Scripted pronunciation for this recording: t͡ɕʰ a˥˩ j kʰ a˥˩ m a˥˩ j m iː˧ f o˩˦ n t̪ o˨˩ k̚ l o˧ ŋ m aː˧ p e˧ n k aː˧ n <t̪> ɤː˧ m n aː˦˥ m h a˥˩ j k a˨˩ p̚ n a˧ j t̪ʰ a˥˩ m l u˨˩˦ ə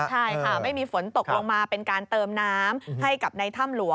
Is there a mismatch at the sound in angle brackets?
no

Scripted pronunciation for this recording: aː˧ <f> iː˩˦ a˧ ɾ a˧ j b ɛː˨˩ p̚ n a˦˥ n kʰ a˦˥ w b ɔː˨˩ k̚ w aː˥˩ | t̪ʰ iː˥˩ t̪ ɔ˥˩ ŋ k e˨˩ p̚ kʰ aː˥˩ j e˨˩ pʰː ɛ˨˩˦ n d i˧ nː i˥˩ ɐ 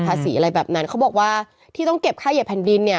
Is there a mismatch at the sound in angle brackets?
yes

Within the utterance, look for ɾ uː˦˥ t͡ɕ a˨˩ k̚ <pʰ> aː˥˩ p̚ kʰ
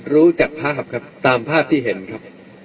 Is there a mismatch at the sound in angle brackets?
no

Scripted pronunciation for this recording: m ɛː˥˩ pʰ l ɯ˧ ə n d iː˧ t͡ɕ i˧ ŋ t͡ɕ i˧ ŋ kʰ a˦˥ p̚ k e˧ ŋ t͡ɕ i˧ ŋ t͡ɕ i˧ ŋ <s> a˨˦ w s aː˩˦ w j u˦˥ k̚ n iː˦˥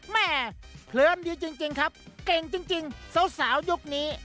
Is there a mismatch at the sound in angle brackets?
no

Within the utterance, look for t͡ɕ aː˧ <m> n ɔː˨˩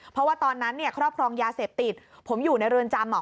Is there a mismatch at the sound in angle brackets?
no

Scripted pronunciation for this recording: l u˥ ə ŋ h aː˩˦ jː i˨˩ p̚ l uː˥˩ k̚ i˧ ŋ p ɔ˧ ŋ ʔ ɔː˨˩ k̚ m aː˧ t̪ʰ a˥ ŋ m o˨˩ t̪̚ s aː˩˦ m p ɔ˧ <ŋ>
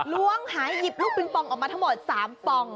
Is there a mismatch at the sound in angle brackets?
no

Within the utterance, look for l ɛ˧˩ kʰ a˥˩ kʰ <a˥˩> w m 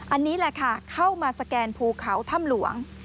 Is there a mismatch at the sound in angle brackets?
no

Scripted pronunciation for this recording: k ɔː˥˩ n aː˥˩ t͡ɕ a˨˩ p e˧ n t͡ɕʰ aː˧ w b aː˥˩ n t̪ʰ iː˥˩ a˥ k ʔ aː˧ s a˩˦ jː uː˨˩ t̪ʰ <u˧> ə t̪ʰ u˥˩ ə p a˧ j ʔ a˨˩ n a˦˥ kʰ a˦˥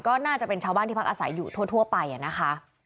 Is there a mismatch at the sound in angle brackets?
yes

